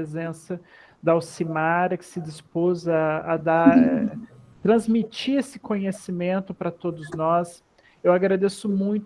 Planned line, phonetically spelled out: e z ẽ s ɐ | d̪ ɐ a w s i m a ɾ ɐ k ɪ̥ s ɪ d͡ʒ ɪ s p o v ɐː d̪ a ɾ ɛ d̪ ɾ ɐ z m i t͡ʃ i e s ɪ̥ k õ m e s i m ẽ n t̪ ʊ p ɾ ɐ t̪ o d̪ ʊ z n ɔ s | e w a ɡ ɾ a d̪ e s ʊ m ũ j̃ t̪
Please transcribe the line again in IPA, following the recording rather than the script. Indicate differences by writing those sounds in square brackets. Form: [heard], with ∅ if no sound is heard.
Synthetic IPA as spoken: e z ẽ s ɐ | d̪ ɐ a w s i m a ɾ ɐ k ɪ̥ s ɪ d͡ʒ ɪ s p o [z] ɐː d̪ a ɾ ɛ [t̪] ɾ [ɐ̃] z m i t͡ʃ i e s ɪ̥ k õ [ɲ] e s i m ẽ n t̪ ʊ p ɾ ɐ t̪ o d̪ ʊ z n ɔ s | e w a ɡ ɾ a d̪ e s ʊ m ũ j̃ t̪